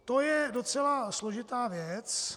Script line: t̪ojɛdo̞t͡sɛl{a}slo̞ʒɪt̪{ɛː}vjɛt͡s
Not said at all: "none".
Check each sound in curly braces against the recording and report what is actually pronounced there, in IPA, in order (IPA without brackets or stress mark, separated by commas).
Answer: a, aː